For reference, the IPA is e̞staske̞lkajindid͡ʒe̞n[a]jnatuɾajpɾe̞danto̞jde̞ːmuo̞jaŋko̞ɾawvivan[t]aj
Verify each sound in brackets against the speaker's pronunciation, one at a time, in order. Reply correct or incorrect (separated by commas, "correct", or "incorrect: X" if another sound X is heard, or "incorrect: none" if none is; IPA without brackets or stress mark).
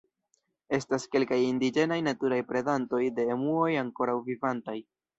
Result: correct, correct